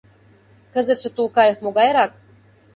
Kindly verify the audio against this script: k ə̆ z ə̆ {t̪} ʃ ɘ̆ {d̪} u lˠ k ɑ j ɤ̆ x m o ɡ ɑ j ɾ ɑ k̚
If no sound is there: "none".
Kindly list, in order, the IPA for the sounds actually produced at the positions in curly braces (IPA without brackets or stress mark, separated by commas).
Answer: t̪, t̪